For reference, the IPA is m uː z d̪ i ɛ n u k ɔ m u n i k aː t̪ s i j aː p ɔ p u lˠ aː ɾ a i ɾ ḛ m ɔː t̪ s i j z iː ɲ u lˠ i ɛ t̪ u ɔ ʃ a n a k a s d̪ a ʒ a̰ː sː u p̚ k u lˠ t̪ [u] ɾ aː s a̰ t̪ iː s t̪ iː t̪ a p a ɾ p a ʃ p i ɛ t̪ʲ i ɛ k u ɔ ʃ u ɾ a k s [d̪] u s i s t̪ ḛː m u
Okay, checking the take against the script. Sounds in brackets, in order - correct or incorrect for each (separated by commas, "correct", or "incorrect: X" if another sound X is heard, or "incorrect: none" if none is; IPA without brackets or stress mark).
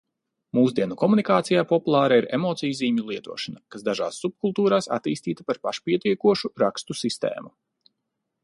incorrect: uː, incorrect: t̪